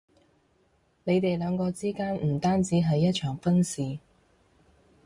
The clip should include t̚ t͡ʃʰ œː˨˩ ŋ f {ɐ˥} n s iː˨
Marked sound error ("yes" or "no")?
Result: no